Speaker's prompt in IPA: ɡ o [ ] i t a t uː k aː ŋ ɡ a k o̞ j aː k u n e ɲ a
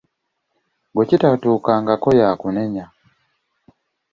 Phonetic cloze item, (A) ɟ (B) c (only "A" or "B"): B